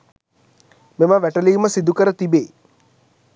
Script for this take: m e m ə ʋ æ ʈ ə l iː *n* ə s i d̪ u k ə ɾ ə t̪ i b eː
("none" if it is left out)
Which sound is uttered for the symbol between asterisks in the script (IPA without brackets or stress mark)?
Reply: m